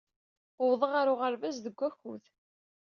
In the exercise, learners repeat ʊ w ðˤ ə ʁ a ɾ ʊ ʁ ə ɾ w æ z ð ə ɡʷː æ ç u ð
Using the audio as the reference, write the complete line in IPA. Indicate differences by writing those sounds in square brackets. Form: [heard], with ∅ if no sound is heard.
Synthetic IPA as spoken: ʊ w ðˤ ə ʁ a ɾ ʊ ʁ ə ɾ [v] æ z ð ə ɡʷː æ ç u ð